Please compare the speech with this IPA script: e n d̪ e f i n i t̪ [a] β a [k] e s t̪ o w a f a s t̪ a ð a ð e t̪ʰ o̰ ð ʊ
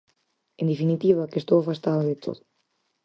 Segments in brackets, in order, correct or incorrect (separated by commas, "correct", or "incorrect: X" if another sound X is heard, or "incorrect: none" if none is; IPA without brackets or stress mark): incorrect: i, correct